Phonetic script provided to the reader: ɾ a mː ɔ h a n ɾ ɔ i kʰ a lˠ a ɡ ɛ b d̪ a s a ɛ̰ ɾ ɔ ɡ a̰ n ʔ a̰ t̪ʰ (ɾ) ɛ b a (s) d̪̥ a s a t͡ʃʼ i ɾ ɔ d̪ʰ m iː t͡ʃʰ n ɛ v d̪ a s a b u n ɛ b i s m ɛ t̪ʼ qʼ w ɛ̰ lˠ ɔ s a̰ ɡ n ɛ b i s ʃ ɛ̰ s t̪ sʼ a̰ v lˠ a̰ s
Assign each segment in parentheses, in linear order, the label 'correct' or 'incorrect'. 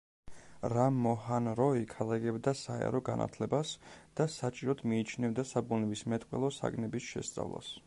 incorrect: l, correct

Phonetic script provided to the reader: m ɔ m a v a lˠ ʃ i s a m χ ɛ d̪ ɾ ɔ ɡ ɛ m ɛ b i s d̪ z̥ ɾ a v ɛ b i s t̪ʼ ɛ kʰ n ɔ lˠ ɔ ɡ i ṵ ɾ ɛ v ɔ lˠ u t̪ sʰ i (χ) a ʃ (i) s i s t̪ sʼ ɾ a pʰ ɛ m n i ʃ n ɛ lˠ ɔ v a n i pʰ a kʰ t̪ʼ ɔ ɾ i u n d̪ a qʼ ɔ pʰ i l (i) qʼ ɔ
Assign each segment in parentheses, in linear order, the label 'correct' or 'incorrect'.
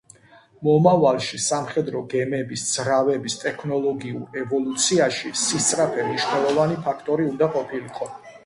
incorrect: none, correct, correct

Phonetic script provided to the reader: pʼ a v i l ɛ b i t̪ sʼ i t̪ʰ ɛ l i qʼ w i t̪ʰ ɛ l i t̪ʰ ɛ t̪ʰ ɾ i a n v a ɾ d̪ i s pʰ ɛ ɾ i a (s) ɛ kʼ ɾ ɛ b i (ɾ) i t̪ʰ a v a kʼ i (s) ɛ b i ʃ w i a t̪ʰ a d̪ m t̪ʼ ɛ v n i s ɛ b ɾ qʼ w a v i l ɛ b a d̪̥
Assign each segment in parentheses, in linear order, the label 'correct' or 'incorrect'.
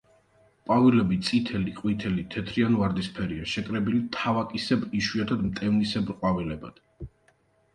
incorrect: ʃ, incorrect: l, correct

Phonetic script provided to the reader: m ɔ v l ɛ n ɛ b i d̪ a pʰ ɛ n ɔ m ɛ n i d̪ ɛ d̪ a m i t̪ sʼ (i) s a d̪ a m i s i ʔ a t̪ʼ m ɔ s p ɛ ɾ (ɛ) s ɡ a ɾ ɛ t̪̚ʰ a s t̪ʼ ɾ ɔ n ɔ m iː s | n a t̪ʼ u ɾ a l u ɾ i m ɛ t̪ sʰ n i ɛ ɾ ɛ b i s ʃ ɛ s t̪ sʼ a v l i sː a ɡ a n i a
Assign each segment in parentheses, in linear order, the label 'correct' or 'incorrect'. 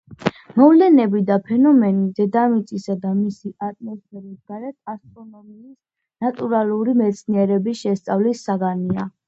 correct, incorrect: i

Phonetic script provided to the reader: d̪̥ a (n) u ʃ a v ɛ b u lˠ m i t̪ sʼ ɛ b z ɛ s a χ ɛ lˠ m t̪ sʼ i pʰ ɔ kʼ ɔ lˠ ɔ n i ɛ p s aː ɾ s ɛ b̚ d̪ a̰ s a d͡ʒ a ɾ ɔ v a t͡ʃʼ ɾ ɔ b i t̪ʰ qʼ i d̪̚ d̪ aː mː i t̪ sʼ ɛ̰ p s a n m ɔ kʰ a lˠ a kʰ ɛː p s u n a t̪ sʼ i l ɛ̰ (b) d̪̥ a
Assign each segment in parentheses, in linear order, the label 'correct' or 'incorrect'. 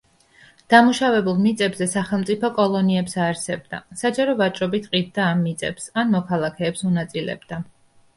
incorrect: m, correct

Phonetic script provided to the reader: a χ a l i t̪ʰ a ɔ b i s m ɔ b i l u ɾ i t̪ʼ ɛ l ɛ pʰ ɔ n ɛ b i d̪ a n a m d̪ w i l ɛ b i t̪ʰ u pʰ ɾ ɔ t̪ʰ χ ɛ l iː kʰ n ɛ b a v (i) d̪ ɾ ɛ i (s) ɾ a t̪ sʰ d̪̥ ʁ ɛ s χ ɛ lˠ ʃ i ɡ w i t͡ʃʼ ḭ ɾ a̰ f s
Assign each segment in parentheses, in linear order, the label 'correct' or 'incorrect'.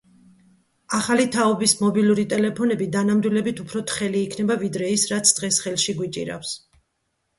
correct, correct

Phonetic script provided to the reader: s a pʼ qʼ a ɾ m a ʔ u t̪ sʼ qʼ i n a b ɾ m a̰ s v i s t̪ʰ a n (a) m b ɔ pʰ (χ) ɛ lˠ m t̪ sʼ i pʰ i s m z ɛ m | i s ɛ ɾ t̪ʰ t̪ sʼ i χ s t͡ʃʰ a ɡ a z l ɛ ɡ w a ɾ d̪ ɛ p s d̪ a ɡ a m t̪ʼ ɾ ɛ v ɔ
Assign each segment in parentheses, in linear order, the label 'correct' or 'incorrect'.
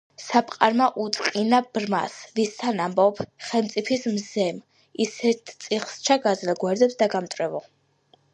correct, correct

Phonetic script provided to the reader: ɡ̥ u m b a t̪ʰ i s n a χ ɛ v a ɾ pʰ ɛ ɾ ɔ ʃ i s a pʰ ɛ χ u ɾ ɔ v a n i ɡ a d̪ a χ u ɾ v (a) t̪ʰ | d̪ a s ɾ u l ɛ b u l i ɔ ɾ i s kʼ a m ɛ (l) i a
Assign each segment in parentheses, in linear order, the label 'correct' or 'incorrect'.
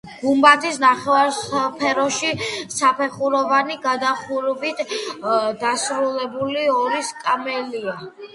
incorrect: i, correct

